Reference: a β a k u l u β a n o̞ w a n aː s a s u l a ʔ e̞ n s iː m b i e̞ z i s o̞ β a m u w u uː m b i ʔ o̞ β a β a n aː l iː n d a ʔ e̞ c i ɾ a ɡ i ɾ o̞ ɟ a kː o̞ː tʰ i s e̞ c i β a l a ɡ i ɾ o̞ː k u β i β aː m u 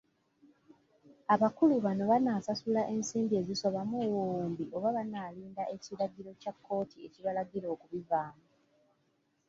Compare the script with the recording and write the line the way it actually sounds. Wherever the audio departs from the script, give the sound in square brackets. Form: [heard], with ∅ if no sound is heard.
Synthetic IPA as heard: a β a k u l u β a n o̞ [β] a n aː s a s u l a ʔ e̞ n s iː m b i e̞ z i s o̞ β a m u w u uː m b i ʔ o̞ β a β a n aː l iː n d a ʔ e̞ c i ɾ a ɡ i ɾ o̞ [c] a kː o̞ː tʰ i [∅] e̞ c i β a l a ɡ i ɾ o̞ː k u β i [v] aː m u